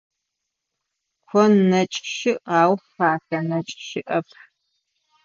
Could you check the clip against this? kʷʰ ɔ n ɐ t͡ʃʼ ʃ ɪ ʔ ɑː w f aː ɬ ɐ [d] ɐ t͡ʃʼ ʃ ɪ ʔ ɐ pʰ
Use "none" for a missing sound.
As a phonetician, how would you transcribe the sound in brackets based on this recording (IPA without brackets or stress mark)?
n